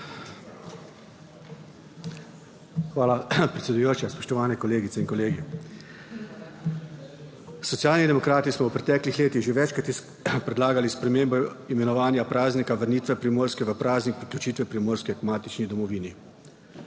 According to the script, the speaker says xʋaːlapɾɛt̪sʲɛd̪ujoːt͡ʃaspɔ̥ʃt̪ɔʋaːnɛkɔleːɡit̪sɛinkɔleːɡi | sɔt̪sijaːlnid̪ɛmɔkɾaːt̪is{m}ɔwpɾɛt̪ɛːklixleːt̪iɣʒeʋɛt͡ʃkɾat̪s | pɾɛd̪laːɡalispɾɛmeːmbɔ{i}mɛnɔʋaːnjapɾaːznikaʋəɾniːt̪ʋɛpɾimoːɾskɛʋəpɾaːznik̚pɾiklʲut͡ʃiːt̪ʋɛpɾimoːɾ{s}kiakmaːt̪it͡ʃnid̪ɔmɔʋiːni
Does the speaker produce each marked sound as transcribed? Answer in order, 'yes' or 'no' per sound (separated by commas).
yes, yes, yes